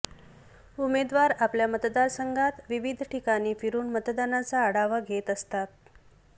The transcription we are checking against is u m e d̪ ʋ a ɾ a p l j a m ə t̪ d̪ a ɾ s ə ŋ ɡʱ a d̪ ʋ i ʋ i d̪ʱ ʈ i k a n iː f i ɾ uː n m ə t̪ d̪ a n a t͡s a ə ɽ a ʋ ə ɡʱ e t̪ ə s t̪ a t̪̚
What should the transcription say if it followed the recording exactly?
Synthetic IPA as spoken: u m e d̪ ʋ a ɾ a p l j a m ə t̪ d̪ a ɾ s ə ŋ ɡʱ a t̪ ʋ i ʋ i d̪ʱ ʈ i k a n iː f i ɾ uː n m ə t̪ d̪ a n a t͡s a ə ɽ a ʋ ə ɡʱ e t̪ ə s t̪ a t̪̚